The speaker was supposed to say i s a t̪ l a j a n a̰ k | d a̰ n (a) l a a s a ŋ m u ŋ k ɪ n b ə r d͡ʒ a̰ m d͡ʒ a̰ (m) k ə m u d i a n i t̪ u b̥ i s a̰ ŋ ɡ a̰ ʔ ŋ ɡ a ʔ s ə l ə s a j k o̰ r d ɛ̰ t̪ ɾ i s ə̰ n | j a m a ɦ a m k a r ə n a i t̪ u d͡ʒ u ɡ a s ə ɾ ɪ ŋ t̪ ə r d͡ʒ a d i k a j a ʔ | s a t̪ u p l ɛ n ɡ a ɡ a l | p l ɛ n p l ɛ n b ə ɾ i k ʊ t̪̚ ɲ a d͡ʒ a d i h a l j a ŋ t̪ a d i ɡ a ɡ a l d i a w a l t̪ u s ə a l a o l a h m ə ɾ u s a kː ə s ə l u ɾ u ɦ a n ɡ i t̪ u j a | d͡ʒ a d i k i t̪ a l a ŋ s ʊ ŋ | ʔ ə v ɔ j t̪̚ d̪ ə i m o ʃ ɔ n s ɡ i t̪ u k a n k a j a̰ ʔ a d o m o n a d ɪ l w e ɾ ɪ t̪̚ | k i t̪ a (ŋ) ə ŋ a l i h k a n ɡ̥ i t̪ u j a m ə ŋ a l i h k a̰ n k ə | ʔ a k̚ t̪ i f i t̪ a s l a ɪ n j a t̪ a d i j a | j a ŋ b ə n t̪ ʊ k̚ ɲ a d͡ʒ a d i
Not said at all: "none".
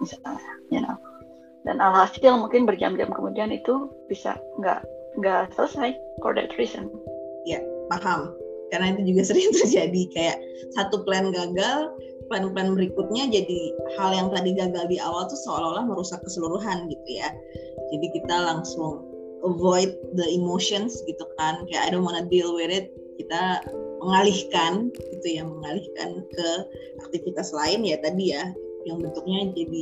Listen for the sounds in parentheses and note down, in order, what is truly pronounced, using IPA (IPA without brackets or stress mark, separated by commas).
a, m, m